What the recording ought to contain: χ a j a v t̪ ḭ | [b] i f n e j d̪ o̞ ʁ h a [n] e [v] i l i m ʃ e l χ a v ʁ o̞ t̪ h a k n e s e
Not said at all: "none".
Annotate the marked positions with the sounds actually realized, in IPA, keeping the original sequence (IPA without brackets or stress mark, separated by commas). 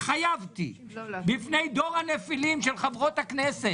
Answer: b, n, f